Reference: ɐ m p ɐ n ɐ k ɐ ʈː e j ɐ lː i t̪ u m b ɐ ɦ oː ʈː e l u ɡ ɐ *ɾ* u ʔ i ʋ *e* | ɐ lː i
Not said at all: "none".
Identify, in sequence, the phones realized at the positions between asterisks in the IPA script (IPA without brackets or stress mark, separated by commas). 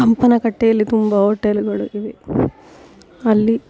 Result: ɭ, e